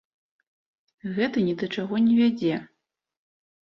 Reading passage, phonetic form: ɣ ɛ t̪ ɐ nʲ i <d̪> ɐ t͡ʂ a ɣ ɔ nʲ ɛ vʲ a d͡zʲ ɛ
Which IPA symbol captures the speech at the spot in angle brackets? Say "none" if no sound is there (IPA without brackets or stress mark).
d̪